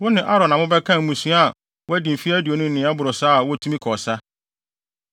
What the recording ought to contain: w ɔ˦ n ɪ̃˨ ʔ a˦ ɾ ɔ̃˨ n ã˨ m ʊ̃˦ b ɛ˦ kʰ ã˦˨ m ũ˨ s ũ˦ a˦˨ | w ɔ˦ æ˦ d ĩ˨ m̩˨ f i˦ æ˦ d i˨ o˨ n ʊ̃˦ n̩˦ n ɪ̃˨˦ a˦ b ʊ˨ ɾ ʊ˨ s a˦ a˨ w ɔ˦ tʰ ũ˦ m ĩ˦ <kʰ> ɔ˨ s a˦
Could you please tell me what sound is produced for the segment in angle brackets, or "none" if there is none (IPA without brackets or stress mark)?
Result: kʰ